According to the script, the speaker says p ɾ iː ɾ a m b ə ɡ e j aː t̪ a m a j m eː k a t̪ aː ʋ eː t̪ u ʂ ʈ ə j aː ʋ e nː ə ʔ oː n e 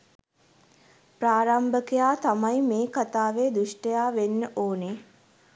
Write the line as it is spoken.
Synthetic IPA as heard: p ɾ aː ɾ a m b ə k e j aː t̪ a m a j m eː k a t̪ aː ʋ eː d̪ u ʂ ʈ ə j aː ʋ e nː ə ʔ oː n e